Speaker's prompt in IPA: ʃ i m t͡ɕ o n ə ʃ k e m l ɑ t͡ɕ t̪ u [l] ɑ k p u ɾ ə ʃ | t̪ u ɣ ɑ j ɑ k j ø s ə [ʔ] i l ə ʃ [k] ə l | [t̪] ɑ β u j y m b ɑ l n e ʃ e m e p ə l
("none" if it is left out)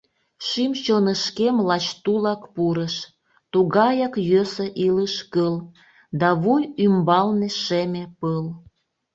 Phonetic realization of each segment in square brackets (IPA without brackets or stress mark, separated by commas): l, ʔ, k, d̪